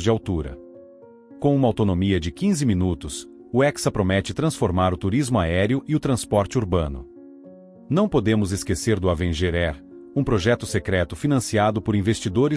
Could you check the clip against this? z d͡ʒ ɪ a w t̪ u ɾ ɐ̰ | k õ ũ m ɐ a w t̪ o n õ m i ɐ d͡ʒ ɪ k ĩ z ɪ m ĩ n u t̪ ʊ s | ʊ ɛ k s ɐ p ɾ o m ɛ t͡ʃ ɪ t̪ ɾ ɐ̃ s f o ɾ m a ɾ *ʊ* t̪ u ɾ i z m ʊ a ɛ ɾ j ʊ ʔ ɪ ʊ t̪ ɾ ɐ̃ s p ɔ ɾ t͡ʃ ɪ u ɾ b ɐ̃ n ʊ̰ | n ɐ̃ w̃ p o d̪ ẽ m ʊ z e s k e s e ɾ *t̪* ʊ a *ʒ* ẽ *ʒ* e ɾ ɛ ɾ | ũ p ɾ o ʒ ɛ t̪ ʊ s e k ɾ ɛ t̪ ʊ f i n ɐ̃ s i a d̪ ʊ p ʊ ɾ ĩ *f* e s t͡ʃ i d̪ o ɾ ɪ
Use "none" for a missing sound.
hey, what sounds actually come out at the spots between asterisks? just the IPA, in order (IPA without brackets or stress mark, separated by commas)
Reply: ʊ, d̪, v, ʒ, v